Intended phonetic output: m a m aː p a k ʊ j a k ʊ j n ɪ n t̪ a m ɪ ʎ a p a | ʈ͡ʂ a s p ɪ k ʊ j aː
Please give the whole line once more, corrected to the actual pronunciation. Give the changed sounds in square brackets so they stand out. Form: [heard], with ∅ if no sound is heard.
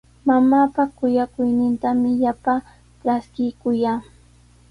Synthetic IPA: m a m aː p a k ʊ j a k ʊ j n ɪ n t̪ a m ɪ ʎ a p a | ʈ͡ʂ a s [k] ɪ k ʊ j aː